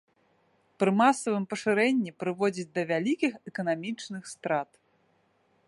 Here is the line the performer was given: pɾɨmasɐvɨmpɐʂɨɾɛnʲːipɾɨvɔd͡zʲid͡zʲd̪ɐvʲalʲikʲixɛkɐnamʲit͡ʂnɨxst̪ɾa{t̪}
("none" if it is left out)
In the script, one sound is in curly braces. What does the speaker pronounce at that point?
t̪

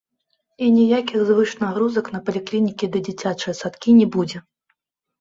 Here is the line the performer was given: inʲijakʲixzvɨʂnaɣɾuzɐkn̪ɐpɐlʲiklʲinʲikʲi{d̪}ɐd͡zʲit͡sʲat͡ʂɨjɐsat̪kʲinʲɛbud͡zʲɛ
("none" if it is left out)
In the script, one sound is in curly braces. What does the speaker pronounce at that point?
d̪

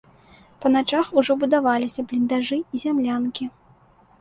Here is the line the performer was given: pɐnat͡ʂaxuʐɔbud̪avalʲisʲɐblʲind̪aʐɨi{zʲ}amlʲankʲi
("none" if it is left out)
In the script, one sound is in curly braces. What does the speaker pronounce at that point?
zʲ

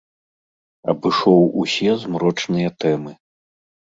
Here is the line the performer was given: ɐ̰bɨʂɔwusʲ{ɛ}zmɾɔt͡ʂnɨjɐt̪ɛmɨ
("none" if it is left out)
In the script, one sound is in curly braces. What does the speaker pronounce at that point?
ɛ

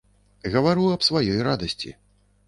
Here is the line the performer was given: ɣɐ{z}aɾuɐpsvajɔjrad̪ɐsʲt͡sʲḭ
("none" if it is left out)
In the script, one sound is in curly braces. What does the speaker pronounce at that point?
v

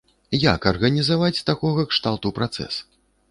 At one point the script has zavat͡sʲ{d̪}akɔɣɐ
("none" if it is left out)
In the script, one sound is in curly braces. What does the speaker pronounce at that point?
t̪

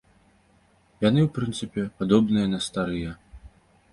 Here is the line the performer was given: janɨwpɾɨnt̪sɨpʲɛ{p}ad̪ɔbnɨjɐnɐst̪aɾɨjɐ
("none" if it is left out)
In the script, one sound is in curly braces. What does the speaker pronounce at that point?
p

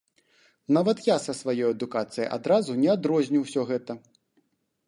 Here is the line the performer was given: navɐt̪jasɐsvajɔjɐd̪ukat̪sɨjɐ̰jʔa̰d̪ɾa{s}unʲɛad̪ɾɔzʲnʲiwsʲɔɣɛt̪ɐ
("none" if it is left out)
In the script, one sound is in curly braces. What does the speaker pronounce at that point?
z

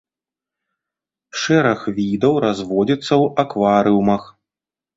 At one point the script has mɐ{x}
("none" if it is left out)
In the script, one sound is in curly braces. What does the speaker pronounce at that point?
x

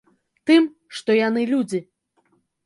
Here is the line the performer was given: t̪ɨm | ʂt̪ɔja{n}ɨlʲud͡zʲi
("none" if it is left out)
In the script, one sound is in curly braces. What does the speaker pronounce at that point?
n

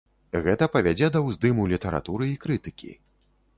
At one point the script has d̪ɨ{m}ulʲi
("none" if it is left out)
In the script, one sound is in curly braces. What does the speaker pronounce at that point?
m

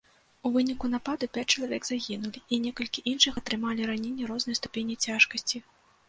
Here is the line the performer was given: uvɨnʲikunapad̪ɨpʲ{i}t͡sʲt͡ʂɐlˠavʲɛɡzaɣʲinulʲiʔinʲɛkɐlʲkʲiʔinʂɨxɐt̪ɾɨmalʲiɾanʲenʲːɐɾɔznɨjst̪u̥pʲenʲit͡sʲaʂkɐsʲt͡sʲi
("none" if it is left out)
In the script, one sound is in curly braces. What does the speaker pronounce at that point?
a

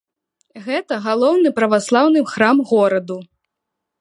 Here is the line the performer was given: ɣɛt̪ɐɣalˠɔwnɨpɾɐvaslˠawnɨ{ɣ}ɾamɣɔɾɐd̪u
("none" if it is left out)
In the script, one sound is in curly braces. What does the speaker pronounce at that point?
x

